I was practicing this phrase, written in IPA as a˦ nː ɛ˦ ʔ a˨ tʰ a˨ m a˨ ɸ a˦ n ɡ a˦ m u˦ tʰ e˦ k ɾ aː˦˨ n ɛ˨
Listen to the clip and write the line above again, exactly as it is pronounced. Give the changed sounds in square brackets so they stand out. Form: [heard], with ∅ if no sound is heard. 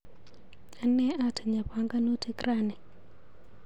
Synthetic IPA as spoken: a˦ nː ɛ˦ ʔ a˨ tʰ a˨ [ɲ] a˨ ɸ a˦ [ŋ] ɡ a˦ [n] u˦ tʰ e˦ k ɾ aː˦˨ n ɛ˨